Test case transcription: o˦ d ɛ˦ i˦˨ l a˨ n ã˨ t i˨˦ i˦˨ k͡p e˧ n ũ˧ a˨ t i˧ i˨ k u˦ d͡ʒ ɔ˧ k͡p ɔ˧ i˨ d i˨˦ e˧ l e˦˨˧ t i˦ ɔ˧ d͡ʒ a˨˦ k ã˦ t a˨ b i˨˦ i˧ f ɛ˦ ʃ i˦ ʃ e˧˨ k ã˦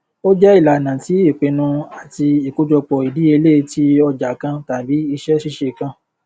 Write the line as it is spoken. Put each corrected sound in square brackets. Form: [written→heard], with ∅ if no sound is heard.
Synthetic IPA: o˦ [d→d͡ʒ] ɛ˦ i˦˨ l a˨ n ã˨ t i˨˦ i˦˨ k͡p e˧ n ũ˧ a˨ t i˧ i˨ k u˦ d͡ʒ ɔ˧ k͡p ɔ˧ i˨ d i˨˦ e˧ l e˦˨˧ t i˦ ɔ˧ d͡ʒ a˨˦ k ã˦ t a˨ b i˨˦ i˧ [f→ʃ] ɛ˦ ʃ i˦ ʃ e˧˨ k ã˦